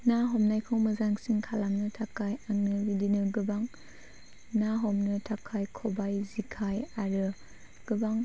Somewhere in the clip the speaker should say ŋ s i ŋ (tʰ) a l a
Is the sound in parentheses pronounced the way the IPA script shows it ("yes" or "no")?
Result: no